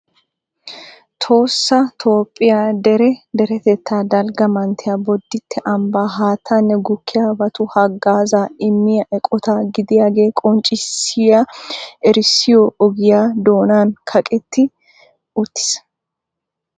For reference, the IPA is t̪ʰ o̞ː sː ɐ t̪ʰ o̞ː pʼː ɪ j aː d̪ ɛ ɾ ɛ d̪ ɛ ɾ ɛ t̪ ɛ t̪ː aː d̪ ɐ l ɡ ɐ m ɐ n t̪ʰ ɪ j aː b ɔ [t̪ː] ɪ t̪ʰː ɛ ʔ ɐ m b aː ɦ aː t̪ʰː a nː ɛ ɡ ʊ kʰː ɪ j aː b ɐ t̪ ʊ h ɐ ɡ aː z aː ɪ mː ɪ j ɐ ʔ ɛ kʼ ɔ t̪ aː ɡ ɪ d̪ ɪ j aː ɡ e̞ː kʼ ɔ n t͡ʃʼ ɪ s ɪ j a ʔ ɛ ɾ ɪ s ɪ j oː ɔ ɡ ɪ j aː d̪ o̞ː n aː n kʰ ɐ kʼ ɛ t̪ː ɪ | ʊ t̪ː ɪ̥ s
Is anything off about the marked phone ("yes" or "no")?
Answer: yes